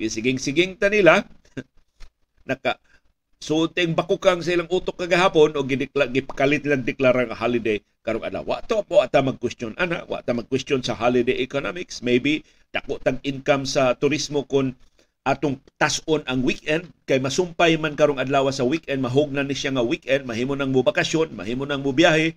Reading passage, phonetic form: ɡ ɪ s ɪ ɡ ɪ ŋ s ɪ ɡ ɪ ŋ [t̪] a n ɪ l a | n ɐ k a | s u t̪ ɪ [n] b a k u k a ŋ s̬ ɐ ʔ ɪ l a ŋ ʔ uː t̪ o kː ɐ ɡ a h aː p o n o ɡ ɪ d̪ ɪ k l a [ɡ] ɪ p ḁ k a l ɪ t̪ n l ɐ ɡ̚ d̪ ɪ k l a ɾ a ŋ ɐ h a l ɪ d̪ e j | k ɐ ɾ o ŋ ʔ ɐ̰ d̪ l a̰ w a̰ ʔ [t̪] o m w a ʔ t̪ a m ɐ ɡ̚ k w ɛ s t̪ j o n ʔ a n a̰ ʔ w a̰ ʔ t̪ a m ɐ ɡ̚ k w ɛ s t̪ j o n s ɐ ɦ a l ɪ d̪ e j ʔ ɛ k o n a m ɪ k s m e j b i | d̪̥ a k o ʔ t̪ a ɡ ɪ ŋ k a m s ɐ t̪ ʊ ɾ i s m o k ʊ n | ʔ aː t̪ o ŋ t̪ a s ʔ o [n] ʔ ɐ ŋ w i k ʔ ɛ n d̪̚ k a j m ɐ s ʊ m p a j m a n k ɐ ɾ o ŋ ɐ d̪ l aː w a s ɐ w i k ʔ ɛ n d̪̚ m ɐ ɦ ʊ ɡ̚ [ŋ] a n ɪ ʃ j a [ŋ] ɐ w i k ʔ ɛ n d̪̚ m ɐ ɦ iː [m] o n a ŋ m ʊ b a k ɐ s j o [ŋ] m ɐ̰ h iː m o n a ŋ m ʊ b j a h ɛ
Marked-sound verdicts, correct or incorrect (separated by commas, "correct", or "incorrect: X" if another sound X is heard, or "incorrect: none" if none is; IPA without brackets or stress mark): correct, incorrect: ŋ, correct, correct, correct, incorrect: n, correct, correct, incorrect: n